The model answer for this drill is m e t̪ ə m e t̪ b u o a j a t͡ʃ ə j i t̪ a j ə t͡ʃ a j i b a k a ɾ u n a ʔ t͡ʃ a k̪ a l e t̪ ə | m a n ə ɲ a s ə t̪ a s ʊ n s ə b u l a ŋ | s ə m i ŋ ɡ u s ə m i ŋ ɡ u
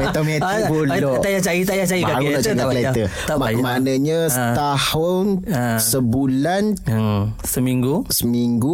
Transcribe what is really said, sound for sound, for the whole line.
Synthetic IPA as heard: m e t̪ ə m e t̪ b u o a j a t͡ʃ a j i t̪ a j a t͡ʃ a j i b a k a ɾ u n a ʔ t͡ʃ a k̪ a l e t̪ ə | m a n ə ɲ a s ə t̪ a h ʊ n s ə b u l a n | s ə m i ŋ ɡ u s ə m i ŋ ɡ u